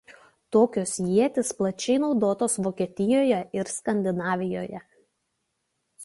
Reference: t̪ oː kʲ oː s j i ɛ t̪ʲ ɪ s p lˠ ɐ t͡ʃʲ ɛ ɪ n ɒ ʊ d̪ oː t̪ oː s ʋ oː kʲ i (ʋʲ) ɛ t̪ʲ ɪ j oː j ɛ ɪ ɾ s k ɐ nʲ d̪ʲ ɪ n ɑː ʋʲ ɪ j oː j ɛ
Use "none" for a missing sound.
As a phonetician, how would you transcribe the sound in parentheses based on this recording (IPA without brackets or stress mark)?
none